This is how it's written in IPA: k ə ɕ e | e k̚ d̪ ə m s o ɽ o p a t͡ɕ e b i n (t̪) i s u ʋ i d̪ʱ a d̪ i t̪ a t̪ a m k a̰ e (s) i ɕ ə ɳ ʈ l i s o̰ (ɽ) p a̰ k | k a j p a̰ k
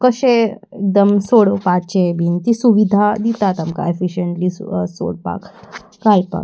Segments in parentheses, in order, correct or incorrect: correct, incorrect: f, correct

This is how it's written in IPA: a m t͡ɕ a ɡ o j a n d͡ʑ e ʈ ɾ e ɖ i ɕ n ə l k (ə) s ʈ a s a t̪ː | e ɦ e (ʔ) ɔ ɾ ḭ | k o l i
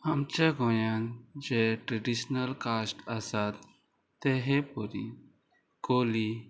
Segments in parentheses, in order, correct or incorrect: incorrect: a, incorrect: p

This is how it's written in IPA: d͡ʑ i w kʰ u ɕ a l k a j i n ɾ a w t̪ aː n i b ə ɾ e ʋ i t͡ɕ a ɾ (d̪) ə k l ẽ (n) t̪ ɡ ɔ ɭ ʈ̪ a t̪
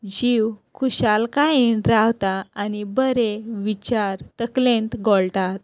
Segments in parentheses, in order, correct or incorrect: incorrect: t̪, correct

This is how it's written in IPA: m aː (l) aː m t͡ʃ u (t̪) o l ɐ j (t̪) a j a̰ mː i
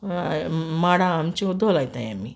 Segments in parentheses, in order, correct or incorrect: incorrect: ɽ, incorrect: d̪, correct

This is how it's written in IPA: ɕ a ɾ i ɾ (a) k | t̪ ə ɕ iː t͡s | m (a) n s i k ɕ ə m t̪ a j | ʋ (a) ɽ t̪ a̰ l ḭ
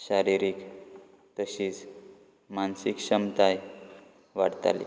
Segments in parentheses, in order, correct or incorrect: incorrect: i, correct, correct

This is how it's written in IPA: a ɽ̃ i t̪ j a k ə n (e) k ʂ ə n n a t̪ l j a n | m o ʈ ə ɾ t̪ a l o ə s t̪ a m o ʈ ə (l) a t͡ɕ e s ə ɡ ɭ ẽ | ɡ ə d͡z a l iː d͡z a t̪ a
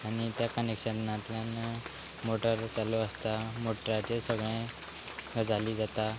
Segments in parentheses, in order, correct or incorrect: correct, incorrect: ɾ

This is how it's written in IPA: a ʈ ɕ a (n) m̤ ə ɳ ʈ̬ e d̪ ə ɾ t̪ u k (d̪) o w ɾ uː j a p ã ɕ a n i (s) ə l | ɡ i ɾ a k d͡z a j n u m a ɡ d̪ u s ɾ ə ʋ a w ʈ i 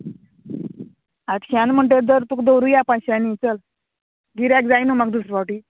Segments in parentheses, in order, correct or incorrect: correct, correct, incorrect: t͡s

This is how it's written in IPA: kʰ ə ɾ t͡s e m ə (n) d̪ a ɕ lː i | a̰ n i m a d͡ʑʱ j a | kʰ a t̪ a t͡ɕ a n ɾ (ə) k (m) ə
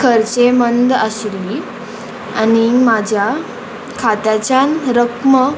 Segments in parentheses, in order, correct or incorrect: correct, correct, correct

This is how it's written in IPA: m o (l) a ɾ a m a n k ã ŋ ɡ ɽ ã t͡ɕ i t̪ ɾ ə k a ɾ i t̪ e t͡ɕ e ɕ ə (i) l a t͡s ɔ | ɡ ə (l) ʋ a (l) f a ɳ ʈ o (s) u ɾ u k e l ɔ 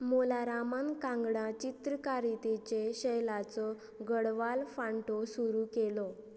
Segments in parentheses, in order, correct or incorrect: correct, incorrect: j, incorrect: ɽ, correct, correct

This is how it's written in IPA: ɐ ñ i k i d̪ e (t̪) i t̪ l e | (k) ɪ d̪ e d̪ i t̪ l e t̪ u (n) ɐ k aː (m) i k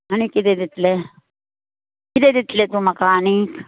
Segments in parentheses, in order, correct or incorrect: incorrect: d̪, correct, incorrect: m, incorrect: n

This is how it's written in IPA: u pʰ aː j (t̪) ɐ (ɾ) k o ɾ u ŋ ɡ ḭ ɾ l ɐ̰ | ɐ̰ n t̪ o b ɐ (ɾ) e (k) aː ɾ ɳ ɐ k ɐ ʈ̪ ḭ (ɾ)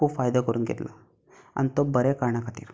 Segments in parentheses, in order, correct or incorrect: incorrect: d̪, incorrect: none, correct, correct, correct

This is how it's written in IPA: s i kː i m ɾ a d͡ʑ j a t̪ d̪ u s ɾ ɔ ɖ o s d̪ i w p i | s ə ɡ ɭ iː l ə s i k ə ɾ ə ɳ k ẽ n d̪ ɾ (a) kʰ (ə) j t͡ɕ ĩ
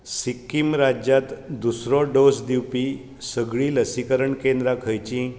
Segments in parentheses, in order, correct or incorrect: correct, correct

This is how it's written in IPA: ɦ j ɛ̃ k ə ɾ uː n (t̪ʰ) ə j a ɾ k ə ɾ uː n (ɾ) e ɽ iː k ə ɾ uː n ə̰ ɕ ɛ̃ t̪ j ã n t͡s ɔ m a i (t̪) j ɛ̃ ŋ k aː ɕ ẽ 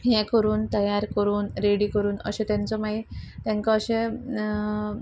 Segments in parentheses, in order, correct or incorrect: incorrect: t̪, correct, correct

